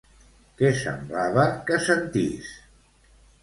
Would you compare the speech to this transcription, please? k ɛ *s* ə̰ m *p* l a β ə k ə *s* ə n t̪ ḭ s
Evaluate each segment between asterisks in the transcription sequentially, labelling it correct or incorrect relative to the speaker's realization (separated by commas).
correct, incorrect, correct